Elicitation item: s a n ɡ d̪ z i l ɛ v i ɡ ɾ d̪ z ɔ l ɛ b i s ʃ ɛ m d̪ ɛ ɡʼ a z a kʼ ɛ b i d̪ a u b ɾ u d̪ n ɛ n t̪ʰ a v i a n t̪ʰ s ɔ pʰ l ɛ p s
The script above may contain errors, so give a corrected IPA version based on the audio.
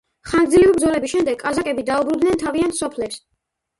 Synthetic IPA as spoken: χ a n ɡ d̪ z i l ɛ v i b ɾ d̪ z ɔ l ɛ b i s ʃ ɛ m d̪ ɛ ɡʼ a z a kʼ ɛ b i d̪ a u b ɾ u d̪ n ɛ n t̪ʰ a v i a n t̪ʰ s ɔ pʰ l ɛ p s